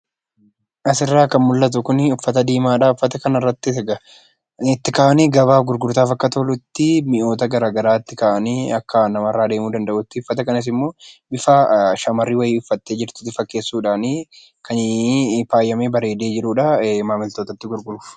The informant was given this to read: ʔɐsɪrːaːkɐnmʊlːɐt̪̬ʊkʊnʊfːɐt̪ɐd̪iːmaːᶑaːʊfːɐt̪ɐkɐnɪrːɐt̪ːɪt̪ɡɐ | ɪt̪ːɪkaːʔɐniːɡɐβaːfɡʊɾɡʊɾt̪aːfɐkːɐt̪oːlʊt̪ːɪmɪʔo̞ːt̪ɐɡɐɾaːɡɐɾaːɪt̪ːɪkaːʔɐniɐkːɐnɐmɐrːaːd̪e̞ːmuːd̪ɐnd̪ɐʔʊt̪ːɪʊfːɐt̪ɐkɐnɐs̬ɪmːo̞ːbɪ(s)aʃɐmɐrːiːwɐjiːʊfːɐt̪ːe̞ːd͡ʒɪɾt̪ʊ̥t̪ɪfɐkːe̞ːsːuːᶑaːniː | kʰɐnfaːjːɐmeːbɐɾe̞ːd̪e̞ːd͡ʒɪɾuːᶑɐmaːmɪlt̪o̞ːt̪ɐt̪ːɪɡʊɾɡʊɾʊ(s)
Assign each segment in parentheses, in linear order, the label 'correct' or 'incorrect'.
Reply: incorrect, incorrect

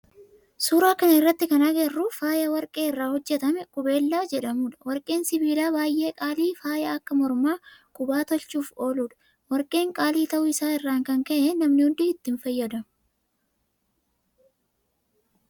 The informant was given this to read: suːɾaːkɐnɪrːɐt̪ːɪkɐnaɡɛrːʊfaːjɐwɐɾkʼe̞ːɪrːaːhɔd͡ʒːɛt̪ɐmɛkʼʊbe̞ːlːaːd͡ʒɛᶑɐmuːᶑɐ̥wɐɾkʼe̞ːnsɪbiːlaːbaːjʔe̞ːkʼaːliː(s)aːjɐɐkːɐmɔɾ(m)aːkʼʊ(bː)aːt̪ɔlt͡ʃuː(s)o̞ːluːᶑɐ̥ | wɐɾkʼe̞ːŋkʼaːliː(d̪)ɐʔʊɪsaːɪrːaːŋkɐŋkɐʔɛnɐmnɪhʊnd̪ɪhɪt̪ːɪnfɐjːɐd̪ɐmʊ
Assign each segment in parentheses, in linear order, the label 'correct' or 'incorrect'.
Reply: incorrect, correct, incorrect, incorrect, incorrect

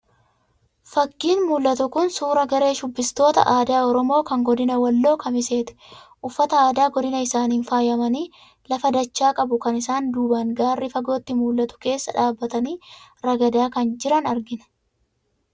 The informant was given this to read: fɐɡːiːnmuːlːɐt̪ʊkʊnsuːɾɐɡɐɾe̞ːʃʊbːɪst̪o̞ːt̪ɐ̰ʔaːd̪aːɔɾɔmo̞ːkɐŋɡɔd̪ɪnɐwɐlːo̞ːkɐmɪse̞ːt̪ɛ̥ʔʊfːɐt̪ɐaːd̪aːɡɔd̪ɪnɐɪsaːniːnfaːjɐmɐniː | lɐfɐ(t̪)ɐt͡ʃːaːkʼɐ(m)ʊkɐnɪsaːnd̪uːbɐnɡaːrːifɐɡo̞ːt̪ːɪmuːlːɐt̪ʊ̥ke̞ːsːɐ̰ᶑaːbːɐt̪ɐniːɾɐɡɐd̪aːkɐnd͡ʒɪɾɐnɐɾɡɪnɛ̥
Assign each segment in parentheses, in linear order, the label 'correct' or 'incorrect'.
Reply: incorrect, incorrect

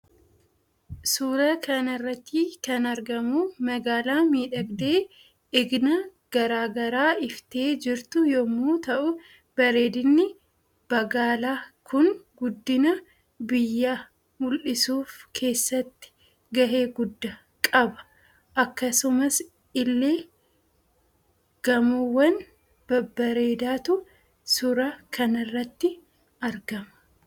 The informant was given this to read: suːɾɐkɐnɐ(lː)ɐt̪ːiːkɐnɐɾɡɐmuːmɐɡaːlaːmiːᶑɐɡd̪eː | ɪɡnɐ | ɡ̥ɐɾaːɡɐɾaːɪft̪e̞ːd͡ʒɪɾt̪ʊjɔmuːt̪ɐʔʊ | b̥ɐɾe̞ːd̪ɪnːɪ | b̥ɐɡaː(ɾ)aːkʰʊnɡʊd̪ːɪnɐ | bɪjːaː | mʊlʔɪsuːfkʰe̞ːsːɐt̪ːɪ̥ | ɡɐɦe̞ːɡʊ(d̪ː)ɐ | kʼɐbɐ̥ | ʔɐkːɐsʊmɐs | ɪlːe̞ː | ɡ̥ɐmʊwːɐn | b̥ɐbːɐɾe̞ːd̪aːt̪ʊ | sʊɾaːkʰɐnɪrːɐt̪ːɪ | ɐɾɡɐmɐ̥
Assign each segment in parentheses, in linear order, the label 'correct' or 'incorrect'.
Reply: incorrect, incorrect, correct

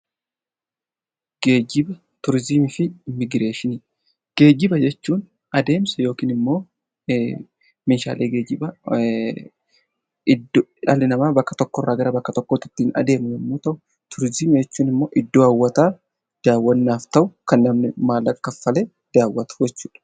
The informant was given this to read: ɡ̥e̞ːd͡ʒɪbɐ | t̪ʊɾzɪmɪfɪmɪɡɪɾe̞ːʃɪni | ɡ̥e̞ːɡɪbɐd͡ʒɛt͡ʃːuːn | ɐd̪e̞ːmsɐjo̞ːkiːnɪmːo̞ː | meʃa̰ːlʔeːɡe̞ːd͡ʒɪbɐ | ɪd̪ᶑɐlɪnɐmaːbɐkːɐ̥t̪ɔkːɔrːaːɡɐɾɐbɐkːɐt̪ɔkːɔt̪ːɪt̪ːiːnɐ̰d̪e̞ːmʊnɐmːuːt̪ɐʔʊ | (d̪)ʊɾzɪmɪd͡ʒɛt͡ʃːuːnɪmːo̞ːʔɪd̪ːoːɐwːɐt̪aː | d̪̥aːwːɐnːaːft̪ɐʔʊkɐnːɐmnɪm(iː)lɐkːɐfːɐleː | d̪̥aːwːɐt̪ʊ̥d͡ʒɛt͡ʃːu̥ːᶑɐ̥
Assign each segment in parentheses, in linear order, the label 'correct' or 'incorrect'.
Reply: incorrect, incorrect

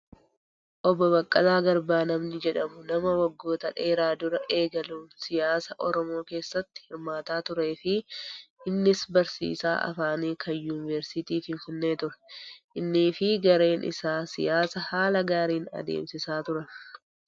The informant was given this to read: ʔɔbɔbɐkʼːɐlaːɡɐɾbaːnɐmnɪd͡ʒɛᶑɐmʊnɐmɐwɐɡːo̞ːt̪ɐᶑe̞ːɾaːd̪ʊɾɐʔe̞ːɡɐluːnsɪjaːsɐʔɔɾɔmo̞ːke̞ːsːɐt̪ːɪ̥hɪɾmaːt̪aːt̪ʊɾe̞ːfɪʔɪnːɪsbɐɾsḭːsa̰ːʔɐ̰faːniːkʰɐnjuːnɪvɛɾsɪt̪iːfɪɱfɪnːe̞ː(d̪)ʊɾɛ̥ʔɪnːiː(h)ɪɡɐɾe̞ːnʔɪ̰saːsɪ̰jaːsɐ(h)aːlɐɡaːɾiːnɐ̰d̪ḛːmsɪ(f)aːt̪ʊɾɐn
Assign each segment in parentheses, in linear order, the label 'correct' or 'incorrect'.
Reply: incorrect, incorrect, correct, incorrect

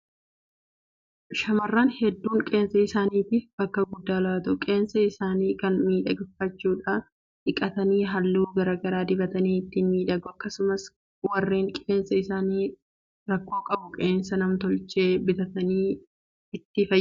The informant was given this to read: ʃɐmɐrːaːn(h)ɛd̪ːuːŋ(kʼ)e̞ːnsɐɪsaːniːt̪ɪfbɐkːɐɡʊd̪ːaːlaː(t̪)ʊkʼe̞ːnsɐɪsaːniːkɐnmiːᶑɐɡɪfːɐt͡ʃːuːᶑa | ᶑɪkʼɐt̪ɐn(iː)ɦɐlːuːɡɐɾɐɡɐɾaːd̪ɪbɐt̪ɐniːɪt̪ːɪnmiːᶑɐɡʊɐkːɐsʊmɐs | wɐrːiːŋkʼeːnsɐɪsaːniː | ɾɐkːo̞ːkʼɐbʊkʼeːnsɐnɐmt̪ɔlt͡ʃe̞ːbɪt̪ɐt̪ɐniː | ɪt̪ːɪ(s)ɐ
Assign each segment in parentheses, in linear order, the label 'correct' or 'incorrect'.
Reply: correct, correct, correct, correct, incorrect

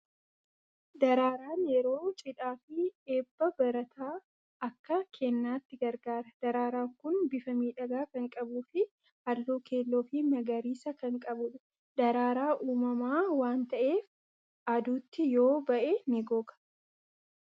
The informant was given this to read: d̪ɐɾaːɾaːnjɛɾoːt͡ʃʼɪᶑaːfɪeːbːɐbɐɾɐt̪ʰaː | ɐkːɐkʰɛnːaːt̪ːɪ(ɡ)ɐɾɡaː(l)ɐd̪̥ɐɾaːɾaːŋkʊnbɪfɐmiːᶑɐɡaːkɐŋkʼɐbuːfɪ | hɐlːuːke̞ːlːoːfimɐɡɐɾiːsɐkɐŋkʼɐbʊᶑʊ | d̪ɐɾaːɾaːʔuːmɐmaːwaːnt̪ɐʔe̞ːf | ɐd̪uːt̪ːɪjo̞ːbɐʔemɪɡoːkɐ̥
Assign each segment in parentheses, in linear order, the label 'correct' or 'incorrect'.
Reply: correct, incorrect

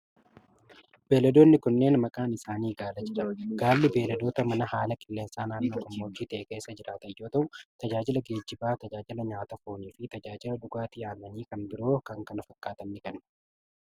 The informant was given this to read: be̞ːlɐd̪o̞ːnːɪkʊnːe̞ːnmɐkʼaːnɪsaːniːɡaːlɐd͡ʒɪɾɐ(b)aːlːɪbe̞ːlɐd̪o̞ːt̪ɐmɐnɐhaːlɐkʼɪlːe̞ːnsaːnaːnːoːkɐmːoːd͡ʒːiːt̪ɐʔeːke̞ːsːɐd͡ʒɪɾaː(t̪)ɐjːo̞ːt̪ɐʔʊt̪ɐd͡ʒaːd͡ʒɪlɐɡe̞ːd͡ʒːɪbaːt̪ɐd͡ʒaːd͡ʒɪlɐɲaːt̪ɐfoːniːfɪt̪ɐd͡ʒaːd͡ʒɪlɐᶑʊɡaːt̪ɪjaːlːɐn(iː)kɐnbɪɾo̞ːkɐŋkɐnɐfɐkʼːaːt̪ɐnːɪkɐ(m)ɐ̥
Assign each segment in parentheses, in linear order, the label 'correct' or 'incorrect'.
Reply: incorrect, correct, correct, incorrect

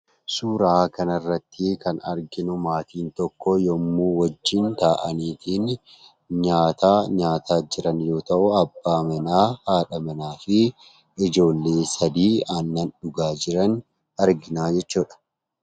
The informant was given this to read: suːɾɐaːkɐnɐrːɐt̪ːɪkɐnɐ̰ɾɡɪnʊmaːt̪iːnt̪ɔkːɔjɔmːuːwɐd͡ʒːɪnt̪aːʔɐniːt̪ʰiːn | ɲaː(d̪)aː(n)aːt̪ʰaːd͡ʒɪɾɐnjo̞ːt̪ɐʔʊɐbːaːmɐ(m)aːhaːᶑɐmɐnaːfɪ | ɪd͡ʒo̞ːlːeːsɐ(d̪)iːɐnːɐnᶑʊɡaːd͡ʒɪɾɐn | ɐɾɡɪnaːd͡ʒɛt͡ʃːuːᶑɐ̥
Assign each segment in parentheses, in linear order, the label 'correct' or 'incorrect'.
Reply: incorrect, incorrect, incorrect, correct

